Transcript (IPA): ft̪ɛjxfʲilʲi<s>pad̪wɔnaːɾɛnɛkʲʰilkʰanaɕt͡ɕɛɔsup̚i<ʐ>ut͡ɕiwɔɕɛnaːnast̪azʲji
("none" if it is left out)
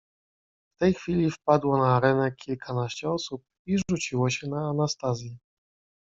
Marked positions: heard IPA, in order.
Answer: f, ʐ

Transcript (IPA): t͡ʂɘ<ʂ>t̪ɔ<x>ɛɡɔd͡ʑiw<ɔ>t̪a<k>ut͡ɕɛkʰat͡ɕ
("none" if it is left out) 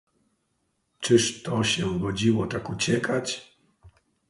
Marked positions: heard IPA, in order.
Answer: ʂ, ɕ, ɔ, k

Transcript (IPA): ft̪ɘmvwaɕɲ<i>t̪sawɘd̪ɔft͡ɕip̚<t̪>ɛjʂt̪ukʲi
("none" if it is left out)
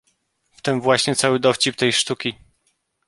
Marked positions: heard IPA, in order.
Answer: ɛ, t̪

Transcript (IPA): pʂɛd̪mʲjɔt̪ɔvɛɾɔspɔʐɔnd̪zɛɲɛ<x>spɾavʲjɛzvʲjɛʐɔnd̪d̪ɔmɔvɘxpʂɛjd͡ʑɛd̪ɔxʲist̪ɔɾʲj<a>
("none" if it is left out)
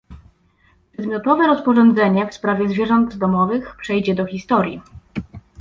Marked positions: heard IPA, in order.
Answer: f, i

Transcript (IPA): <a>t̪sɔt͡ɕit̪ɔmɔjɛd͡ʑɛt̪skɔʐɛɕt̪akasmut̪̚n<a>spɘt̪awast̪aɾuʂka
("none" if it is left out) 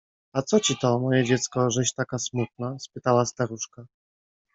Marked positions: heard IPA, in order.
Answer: a, a

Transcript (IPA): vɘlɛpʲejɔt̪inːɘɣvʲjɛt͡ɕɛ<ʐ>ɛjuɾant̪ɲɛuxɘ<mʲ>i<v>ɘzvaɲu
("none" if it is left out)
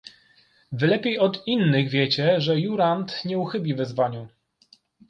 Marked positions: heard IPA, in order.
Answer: ʐ, bʲ, v

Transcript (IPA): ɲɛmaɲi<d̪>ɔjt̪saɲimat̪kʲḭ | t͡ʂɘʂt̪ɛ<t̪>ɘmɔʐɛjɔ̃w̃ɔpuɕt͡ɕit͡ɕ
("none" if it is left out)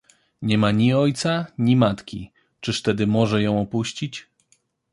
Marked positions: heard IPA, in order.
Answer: none, d̪

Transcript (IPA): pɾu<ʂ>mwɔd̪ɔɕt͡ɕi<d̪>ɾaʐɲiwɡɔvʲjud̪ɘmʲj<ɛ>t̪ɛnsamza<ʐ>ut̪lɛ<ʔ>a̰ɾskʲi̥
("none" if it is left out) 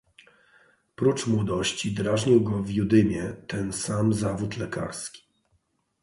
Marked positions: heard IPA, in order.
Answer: t͡ʂ, d̪, ɛ, v, k

